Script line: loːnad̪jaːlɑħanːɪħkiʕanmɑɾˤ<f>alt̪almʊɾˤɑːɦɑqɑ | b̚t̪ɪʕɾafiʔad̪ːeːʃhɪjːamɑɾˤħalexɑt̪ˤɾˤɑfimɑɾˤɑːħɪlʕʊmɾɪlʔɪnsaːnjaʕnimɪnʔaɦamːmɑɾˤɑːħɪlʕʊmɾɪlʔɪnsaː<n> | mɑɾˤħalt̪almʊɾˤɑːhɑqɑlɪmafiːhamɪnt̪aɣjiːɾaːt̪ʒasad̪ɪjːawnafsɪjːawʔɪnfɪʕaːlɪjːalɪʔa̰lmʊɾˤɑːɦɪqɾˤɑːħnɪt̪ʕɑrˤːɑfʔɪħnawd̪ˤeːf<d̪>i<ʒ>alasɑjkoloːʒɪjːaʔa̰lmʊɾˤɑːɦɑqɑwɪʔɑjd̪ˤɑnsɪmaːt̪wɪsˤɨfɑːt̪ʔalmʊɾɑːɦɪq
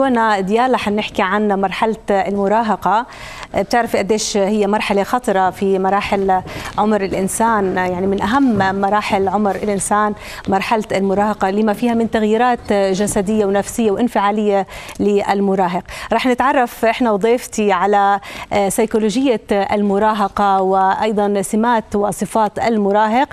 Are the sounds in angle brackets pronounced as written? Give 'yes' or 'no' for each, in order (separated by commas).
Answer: no, yes, no, no